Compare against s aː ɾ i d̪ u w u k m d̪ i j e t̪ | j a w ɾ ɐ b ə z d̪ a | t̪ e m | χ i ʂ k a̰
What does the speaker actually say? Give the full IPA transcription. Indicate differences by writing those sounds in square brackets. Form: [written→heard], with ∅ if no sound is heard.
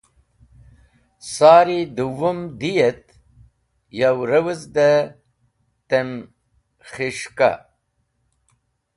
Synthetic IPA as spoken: s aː ɾ i d̪ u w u [k→∅] m d̪ i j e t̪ | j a w ɾ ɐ [b→w] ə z d̪ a | t̪ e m | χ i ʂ k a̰